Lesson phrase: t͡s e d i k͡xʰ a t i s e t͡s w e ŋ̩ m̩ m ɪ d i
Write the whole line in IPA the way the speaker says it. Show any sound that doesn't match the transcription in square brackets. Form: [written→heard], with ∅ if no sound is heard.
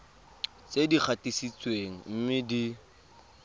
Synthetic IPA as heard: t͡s e d i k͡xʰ a t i s [e→i] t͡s w e ŋ̩ m̩ m ɪ d i